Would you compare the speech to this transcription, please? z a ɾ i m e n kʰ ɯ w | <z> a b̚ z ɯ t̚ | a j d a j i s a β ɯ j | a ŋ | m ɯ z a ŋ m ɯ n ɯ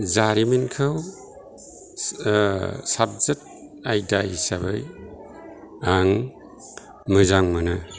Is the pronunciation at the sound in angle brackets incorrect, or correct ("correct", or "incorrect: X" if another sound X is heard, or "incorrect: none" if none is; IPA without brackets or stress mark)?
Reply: incorrect: s